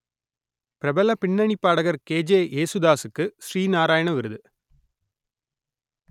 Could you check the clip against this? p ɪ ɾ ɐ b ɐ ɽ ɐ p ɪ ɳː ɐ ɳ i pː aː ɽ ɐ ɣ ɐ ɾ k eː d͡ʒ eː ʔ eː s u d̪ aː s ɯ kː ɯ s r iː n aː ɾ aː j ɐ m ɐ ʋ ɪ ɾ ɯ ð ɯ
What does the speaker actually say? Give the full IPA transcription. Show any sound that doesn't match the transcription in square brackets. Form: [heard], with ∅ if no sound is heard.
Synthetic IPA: p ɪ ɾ ɐ b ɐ [l] ɐ p ɪ ɳː ɐ ɳ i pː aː ɽ ɐ ɣ ɐ ɾ k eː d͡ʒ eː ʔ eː s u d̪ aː s ɯ kː ɯ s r iː n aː ɾ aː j ɐ [ɳ] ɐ ʋ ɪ ɾ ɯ ð ɯ